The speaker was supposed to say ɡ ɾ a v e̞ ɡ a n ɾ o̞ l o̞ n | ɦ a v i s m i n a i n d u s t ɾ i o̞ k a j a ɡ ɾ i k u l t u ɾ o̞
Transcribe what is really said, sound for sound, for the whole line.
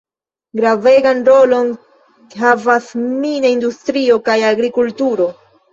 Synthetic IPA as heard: ɡ ɾ a v e̞ ɡ a n ɾ o̞ l o̞ n | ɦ a v a s m i n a i n d u s t ɾ i o̞ k a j a ɡ ɾ i k u l t u ɾ o̞